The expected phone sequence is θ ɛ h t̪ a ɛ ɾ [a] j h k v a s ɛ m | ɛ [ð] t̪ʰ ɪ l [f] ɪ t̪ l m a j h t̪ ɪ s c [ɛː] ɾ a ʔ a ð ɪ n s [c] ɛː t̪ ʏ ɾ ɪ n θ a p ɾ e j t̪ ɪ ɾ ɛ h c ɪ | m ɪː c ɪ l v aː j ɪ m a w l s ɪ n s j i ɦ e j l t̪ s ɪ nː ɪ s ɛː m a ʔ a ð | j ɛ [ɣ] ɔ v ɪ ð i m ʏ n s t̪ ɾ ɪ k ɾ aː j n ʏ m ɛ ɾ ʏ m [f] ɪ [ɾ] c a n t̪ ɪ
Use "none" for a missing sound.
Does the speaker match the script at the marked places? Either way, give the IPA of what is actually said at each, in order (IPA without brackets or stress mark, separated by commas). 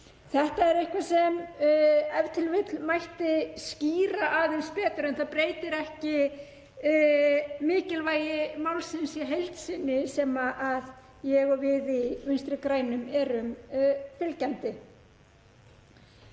e, v, v, iː, p, ɣ, f, l